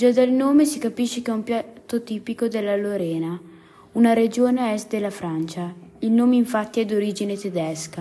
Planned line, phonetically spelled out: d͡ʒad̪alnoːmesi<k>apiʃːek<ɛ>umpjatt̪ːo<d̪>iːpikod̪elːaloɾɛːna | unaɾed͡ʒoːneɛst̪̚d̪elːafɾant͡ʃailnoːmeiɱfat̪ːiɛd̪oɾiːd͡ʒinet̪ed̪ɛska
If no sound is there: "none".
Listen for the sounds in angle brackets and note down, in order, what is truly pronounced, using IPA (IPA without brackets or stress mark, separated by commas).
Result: k, ɛ, t̪